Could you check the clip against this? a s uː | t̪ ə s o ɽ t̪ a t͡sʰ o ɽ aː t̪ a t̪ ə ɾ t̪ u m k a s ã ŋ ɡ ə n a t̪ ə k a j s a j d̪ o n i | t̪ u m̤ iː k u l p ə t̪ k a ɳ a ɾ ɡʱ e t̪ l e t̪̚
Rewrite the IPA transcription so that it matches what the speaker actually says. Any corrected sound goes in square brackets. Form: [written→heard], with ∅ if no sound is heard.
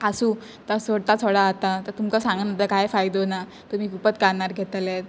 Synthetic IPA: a s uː | t̪ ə s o ɽ t̪ a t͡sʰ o ɽ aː t̪ a t̪ ə ɾ t̪ u m k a s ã ŋ ɡ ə n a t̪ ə k a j [s→f] a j d̪ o n [i→a] | t̪ u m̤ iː k u [l→∅] p ə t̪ k a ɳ a ɾ ɡʱ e t̪ l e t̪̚